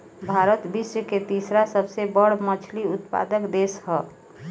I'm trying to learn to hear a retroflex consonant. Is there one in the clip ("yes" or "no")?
yes